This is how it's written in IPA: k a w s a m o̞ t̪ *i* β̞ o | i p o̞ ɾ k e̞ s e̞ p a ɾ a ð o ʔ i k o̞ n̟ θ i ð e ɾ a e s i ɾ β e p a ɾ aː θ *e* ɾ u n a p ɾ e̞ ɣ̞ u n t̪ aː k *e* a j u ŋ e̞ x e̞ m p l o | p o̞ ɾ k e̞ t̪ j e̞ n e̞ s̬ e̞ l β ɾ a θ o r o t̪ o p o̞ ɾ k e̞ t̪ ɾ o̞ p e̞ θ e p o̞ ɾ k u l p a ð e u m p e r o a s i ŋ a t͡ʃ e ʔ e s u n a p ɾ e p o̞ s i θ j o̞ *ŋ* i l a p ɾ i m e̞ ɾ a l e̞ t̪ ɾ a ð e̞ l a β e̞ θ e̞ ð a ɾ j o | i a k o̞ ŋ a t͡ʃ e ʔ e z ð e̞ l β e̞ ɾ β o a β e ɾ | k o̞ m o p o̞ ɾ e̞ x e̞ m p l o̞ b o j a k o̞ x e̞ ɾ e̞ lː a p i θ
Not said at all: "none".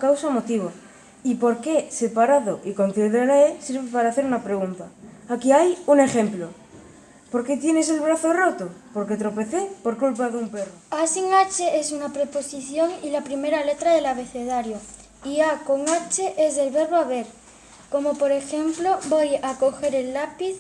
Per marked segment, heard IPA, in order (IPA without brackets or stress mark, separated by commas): i, e, i, ŋ